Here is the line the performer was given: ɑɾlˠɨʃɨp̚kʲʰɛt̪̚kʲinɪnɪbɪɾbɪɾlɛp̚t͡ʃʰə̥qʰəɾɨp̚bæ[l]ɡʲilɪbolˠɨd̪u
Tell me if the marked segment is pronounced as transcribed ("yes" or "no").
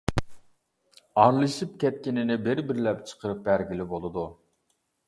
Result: no